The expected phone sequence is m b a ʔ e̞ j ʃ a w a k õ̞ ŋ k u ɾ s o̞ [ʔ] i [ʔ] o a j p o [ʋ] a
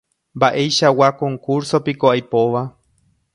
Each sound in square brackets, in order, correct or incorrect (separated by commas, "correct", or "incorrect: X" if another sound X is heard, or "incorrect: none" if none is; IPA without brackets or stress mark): incorrect: p, incorrect: k, correct